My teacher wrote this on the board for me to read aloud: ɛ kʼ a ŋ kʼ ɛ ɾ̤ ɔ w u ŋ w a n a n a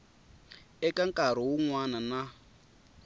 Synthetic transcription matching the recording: ɛ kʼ a ŋ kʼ a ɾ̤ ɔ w u ŋ w a n a n a